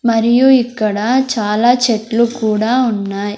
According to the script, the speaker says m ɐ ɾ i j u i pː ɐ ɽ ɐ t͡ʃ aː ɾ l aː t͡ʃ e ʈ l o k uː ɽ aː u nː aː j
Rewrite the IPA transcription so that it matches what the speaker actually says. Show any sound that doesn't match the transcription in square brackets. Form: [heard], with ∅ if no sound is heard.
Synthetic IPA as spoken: m ɐ ɾ i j u i [kː] ɐ ɽ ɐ t͡ʃ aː [∅] l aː t͡ʃ e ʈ l [u] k uː ɽ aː u nː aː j